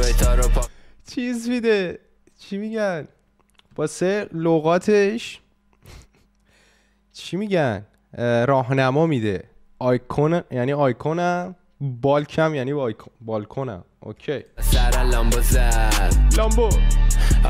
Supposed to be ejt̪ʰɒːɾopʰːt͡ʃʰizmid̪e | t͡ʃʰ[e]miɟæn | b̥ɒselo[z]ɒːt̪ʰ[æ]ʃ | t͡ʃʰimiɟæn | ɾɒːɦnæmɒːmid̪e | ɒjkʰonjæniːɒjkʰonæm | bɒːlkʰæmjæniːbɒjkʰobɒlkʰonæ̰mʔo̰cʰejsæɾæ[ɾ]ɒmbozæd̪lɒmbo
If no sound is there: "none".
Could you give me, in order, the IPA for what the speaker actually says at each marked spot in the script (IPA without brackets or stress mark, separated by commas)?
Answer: i, ɣ, e, l